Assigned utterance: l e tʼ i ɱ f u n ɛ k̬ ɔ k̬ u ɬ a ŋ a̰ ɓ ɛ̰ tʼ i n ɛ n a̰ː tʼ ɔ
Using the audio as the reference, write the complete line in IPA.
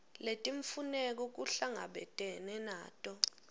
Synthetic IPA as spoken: l e tʼ i ɱ f u n ɛ k̬ ɔ k̬ u ɬ a ŋ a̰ ɓ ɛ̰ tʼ ɛ n ɛ n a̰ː tʼ ɔ